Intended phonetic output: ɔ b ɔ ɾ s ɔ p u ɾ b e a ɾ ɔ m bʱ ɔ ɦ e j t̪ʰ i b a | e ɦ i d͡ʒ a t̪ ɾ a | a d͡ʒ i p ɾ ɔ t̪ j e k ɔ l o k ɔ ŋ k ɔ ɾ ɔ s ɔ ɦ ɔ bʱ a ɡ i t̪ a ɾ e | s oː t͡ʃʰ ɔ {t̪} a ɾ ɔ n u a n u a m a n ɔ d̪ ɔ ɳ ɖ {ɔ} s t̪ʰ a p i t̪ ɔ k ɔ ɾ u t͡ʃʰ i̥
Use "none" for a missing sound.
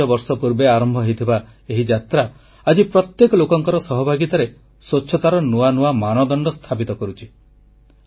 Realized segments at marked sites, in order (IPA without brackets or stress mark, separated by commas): t̪, ɔ